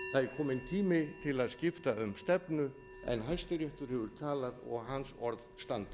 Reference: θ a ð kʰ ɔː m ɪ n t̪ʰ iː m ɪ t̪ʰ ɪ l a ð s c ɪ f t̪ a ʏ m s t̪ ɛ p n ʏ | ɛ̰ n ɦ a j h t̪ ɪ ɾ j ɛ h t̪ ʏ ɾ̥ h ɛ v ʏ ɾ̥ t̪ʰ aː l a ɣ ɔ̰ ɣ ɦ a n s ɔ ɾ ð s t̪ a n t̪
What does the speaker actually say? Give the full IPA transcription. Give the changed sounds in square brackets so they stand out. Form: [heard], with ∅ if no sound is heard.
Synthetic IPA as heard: θ a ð kʰ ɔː m ɪ n t̪ʰ iː m ɪ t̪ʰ ɪ l a ð s c ɪ f t̪ a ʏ m s t̪ ɛ p n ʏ | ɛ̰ n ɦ a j [s] t̪ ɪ ɾ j ɛ h t̪ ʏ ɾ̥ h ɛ v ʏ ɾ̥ t̪ʰ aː l a [ð] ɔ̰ ɣ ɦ a n s ɔ ɾ ð s t̪ a n t̪